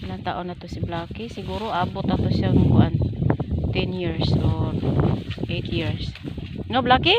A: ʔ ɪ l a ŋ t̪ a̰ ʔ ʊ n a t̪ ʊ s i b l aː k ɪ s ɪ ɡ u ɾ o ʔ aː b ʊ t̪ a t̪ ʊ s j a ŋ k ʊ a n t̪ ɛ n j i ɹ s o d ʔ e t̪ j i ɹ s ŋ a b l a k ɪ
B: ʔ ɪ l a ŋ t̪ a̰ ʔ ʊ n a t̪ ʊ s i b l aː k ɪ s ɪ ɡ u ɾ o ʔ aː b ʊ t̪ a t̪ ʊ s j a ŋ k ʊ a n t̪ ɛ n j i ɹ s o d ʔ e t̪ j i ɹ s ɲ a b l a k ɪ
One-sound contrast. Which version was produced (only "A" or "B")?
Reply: A